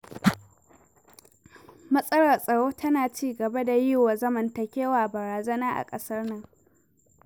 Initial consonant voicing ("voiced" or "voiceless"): voiced